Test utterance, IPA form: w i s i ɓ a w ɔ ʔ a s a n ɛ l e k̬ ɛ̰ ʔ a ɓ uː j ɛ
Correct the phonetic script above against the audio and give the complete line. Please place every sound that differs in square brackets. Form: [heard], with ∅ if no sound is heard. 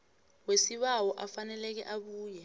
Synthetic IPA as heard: w [e] s i ɓ a w ɔ ʔ a [f] a n ɛ l [ɛ] k̬ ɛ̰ ʔ a ɓ uː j ɛ